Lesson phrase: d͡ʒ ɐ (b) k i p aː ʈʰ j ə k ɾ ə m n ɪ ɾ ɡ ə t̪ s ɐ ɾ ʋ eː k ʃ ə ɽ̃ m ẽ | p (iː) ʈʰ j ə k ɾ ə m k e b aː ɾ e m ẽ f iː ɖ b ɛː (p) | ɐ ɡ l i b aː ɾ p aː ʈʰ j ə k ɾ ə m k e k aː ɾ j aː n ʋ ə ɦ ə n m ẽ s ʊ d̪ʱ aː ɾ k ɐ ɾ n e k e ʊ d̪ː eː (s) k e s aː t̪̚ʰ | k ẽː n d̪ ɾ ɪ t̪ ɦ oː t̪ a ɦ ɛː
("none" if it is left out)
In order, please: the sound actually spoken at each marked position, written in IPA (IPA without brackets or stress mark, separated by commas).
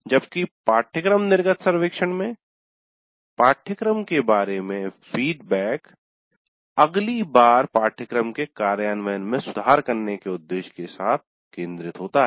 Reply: b, aː, k, ʃ